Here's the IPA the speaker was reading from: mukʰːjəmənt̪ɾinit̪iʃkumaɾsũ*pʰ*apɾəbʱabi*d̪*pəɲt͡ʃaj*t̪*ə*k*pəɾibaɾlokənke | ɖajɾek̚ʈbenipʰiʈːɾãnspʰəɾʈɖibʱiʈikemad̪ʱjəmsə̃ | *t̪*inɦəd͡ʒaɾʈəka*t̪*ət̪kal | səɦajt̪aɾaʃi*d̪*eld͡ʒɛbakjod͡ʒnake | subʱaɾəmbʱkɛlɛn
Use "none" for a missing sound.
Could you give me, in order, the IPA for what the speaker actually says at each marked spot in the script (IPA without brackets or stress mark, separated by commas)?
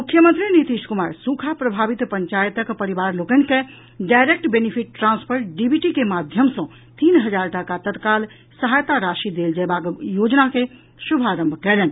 kʰ, t̪, t̪, k, t̪, t̪, d̪